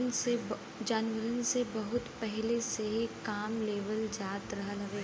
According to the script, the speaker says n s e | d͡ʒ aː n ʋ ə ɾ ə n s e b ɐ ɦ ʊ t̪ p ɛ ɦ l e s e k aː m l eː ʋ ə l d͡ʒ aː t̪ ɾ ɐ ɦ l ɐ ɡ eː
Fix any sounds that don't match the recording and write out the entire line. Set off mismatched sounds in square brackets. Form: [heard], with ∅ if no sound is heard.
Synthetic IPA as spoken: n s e | d͡ʒ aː n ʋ ə ɾ ə n s e b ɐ ɦ ʊ t̪ p ɛ ɦ l e s e k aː m l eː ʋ ə l d͡ʒ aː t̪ ɾ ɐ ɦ l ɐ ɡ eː